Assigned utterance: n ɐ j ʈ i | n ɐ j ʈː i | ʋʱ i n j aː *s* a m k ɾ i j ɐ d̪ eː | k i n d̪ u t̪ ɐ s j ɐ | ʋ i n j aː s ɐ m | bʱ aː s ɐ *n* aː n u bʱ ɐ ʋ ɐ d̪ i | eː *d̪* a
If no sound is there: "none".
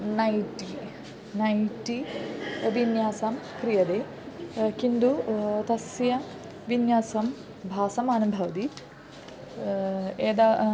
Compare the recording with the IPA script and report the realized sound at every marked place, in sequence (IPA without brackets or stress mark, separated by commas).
s, m, d̪